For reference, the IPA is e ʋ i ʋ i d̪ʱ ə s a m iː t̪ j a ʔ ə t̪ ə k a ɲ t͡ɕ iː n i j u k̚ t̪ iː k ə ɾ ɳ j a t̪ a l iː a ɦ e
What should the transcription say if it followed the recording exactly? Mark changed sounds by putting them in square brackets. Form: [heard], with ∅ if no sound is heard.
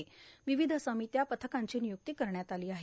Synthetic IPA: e ʋ i ʋ i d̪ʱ ə s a m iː t̪ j a [p] ə [t̪ʰ] ə k a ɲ t͡ɕ iː n i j u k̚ t̪ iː k ə ɾ ɳ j a t̪ a l iː a ɦ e